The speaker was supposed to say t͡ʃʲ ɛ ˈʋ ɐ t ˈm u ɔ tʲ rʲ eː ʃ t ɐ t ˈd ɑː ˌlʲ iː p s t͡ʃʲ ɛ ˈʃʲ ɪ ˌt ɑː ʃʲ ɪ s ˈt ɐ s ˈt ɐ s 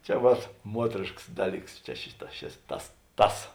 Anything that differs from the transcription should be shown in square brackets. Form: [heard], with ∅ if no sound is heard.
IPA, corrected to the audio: t͡ʃʲ ɛ ˈʋ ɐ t ˈm u ɔ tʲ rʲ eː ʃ [k] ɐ [s] ˈd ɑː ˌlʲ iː [k] s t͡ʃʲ ɛ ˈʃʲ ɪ ˌt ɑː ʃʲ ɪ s ˈt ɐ s ˈt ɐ s